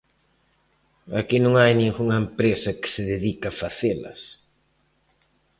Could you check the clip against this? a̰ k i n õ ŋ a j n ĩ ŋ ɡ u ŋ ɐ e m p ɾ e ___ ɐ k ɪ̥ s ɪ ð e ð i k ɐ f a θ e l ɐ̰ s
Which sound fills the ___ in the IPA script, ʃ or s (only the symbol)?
s